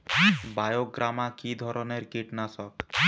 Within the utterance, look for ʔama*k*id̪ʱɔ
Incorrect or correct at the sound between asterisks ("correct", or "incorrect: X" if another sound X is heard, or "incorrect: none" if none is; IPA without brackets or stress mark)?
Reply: correct